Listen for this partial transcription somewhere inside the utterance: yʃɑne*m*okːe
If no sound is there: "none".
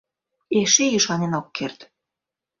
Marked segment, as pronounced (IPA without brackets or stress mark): n